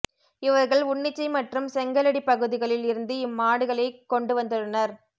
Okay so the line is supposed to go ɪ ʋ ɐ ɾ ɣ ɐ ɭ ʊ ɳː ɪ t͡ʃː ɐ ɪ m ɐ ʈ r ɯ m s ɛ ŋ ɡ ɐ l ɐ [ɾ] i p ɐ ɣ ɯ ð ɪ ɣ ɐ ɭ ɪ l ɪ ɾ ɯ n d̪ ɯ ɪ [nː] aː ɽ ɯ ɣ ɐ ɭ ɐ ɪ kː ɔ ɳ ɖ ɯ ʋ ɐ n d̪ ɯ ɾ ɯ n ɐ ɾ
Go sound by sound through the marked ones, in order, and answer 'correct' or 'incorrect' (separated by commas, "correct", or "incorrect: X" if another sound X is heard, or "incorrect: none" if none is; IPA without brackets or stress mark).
incorrect: ɽ, incorrect: mː